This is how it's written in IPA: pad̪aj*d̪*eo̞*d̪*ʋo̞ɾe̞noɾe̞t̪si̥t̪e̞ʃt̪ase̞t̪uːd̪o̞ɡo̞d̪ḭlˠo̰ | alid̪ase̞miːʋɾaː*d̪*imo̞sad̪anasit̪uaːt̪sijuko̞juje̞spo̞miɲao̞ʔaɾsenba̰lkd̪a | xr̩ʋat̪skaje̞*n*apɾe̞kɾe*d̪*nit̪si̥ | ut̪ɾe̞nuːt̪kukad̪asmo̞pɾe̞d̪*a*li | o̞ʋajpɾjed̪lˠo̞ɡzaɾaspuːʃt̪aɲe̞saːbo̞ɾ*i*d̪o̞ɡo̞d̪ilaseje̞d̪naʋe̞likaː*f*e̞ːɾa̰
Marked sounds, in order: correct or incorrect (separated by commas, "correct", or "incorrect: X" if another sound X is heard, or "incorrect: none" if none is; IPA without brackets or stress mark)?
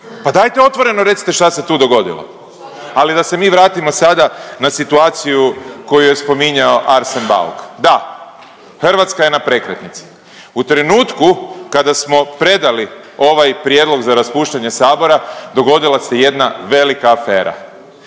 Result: incorrect: t̪, incorrect: t̪, incorrect: t̪, correct, incorrect: t̪, correct, incorrect: a, correct